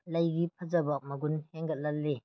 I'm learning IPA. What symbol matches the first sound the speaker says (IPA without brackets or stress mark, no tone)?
l